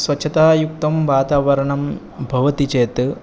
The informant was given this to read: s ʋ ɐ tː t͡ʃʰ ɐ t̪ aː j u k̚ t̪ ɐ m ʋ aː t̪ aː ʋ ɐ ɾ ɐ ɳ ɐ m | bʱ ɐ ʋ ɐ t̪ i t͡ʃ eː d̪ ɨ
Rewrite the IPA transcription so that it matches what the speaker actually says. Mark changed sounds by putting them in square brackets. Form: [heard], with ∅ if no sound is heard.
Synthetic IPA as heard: s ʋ ɐ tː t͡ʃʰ ɐ t̪ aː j u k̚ t̪ ɐ m ʋ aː t̪ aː ʋ ɐ ɾ ɐ ɳ ɐ m | bʱ ɐ ʋ ɐ t̪ i t͡ʃ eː [t̪] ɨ